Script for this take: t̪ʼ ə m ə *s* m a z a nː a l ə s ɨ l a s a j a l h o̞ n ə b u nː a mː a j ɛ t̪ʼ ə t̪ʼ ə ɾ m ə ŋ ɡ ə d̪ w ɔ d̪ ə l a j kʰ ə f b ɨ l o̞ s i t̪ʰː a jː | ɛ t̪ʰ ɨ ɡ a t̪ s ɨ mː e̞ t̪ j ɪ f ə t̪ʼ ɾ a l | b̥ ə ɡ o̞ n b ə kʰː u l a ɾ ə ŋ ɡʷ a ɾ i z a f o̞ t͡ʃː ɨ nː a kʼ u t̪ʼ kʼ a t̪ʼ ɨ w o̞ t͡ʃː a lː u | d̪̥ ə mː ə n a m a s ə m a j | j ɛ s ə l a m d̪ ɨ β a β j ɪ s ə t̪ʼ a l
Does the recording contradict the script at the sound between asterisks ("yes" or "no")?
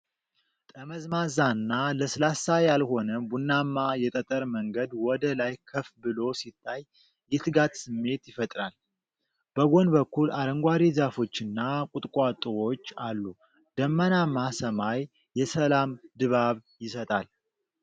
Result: yes